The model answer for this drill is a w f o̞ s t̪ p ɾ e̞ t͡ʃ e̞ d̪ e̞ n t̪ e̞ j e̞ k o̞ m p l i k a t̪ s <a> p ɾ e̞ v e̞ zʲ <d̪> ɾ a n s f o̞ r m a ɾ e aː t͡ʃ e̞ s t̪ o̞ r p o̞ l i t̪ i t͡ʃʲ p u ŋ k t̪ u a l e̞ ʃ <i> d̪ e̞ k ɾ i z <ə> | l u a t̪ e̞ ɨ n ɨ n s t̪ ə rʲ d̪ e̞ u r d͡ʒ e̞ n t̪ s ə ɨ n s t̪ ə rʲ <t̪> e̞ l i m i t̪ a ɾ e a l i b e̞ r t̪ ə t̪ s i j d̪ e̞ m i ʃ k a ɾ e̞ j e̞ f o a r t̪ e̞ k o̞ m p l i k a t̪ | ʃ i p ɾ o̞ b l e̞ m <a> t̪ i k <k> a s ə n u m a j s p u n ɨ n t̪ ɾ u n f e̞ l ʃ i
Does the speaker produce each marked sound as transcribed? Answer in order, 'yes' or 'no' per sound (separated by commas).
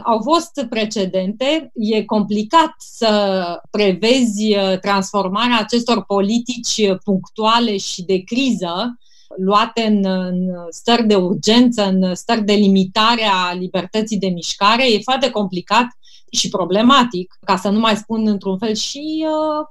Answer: no, no, yes, yes, no, yes, yes